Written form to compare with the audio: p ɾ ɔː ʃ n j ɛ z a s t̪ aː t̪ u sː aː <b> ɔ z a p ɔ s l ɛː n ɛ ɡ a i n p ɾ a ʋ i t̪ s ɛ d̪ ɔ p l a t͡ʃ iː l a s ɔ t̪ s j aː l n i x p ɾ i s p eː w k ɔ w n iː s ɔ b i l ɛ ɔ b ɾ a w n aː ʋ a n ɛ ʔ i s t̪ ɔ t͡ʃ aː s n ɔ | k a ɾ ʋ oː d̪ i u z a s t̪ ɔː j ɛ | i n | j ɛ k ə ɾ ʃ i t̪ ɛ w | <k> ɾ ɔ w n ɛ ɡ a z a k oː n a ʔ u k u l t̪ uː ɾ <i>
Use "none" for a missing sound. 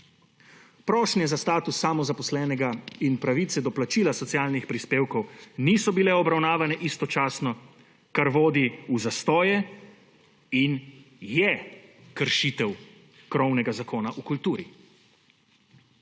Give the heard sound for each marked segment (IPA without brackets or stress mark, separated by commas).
m, k, i